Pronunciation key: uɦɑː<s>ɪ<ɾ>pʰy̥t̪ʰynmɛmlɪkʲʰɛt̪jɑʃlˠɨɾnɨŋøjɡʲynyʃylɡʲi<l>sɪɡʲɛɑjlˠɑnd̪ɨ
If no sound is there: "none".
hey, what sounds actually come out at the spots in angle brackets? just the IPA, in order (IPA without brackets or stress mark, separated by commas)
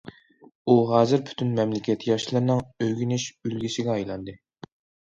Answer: z, ɾ, none